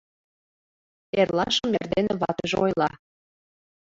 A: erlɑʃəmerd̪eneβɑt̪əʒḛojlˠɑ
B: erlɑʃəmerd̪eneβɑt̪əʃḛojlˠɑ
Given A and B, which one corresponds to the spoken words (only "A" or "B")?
A